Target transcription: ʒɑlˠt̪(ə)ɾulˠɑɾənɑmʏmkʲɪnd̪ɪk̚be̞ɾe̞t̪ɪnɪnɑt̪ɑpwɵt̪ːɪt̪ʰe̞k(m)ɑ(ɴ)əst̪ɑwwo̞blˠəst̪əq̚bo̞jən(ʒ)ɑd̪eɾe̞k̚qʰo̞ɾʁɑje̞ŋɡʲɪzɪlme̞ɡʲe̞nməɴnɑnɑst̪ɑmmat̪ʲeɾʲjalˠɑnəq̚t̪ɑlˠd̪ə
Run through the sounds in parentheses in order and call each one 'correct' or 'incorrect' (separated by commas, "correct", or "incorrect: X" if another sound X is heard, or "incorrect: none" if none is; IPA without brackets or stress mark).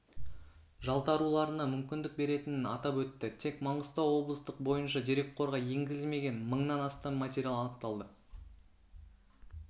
incorrect: ɑ, correct, correct, incorrect: ʃ